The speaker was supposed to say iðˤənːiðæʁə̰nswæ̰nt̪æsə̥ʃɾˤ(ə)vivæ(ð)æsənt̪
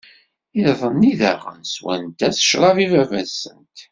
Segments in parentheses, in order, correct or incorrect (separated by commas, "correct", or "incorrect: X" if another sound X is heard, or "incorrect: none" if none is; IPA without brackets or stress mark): incorrect: ɑ, incorrect: v